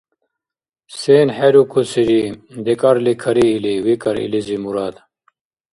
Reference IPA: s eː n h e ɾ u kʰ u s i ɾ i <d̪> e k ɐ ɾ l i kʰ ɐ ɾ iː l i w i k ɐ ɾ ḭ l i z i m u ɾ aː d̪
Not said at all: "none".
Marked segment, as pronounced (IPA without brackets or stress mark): d̪